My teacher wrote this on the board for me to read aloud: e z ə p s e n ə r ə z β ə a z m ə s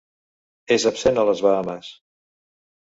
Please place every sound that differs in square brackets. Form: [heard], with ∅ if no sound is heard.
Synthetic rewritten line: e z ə p s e n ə [l] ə z β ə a [∅] m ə s